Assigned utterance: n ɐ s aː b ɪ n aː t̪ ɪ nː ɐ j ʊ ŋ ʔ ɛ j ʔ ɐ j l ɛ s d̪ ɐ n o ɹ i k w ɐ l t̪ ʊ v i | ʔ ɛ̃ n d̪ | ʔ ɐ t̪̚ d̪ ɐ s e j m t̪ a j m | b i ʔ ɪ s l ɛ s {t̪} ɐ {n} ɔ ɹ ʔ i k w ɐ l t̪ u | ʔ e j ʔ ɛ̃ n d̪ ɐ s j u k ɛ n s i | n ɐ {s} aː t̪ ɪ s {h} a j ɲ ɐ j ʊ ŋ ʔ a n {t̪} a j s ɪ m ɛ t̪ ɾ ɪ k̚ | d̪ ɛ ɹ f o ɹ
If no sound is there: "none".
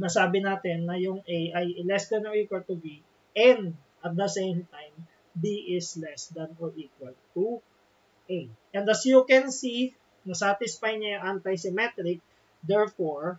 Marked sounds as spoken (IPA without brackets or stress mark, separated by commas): d̪, n, s, f, t̪